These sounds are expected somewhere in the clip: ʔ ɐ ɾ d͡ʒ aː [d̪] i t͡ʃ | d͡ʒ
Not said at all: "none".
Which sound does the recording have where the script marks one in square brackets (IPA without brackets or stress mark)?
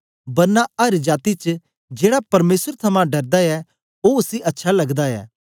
t̪